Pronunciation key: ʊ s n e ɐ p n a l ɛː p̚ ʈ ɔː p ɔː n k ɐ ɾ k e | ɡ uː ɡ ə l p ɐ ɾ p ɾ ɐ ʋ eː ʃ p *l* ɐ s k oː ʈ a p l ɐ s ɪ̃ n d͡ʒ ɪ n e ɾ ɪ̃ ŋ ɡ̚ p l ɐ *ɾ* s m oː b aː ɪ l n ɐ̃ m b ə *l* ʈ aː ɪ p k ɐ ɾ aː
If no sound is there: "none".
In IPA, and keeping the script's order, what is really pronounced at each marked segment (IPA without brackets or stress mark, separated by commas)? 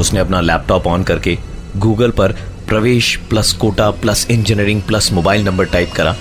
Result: l, none, ɾ